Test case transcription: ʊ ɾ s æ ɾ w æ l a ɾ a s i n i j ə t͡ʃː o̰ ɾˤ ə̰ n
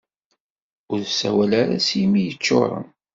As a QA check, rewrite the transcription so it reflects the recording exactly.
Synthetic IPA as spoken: ʊ ɾ s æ w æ l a ɾ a s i m i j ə t͡ʃː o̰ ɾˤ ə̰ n